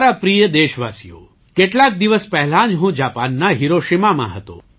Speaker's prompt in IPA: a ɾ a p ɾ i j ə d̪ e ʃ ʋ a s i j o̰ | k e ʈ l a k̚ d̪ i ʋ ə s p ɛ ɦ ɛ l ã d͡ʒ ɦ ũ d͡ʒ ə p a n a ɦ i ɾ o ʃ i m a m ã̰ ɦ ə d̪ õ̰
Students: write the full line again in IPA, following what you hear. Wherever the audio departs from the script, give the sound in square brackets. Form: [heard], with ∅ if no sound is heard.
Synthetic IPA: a ɾ a p ɾ i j ə d̪ e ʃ ʋ a s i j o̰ | k e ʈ l a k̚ d̪ i ʋ ə s p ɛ ɦ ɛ l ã d͡ʒ ɦ ũ d͡ʒ [a] p a [nː] a ɦ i ɾ o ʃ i m a m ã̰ ɦ ə [t̪] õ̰